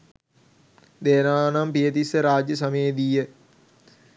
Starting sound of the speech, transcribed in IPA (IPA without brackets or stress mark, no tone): d̪